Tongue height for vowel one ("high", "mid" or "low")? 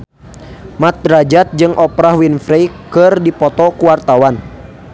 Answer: low